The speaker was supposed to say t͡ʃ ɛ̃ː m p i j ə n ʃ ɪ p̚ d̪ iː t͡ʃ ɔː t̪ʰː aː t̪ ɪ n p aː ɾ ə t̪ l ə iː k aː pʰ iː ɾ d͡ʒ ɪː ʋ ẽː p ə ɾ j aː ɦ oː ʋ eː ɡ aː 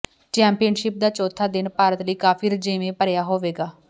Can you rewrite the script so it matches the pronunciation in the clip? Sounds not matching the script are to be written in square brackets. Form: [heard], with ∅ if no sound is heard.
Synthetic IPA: t͡ʃ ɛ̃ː m p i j ə n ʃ ɪ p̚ d̪ [aː] t͡ʃ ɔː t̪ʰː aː [d̪] ɪ n p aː ɾ ə t̪ l ə iː k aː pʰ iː ɾ d͡ʒ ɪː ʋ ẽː p ə ɾ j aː ɦ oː ʋ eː ɡ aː